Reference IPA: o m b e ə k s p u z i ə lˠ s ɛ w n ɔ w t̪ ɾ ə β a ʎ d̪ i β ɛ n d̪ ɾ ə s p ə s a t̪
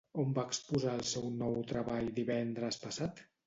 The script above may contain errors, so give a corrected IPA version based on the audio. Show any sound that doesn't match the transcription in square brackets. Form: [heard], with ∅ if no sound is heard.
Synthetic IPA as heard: o m b [a] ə k s p u z [a] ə lˠ s ɛ w n ɔ w t̪ ɾ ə β a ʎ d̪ i β ɛ n d̪ ɾ ə s p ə s a t̪